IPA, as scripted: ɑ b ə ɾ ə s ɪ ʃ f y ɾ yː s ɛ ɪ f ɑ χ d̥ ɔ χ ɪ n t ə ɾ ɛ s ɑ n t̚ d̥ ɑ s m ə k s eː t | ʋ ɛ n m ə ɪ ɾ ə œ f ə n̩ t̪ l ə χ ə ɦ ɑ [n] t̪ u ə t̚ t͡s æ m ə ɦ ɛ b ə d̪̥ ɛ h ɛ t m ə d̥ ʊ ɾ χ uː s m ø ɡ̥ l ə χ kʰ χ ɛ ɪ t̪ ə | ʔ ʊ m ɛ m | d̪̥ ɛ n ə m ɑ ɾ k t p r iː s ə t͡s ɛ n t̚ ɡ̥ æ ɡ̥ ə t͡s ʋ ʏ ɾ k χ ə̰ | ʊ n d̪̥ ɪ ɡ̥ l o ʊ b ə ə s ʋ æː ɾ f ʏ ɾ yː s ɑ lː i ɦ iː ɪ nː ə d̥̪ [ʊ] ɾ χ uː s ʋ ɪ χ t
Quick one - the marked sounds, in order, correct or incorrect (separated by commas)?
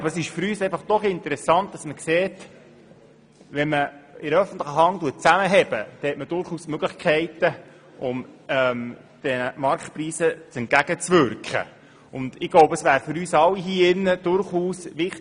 incorrect, correct